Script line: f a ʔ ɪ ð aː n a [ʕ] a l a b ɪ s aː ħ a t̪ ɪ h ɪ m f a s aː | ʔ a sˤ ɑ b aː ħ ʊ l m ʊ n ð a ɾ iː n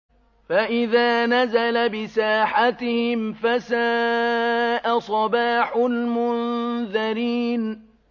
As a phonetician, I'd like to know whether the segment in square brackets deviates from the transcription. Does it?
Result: yes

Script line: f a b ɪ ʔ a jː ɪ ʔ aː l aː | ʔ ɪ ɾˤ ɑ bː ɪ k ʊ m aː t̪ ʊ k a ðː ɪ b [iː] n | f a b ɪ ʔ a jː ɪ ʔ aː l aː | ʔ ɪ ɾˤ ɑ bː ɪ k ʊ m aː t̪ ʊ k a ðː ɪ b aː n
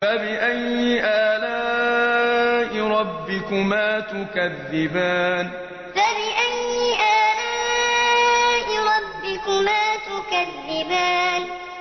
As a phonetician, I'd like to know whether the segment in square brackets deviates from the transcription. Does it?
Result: yes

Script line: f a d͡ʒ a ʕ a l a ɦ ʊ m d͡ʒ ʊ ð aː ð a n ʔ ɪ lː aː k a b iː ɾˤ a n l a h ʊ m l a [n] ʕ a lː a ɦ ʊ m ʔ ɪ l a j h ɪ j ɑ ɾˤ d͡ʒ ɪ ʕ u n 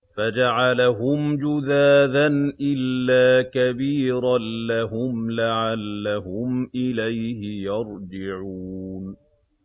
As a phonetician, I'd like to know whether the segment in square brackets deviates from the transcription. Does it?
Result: yes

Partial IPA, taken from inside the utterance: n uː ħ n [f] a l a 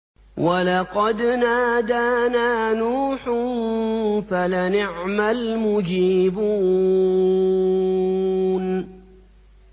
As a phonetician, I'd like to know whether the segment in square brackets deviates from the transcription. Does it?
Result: no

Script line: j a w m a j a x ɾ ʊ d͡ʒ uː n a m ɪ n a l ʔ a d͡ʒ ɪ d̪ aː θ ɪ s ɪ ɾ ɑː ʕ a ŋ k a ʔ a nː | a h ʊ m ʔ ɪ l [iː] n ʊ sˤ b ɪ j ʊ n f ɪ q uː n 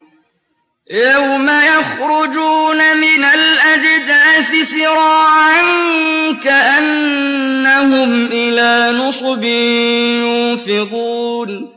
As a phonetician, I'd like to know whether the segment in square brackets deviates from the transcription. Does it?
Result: yes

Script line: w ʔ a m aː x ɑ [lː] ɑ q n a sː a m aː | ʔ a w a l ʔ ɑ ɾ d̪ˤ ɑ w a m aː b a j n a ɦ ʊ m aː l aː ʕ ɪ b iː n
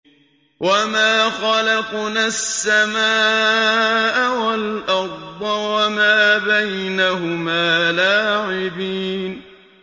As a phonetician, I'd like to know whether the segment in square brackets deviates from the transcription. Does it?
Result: yes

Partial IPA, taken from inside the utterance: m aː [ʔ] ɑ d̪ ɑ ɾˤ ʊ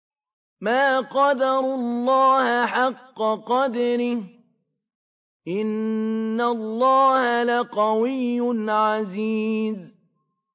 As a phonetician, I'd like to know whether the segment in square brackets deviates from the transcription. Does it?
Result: yes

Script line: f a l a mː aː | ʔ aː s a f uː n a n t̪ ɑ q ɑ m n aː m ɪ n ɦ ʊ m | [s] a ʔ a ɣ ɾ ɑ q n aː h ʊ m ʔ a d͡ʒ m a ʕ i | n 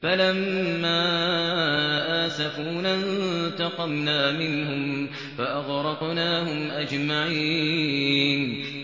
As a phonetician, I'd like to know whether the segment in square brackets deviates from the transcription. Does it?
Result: yes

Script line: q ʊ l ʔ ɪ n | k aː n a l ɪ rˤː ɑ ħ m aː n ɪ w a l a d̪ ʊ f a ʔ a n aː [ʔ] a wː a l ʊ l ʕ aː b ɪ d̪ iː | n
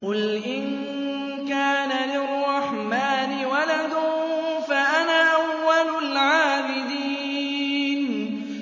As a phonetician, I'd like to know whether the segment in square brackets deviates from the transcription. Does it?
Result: no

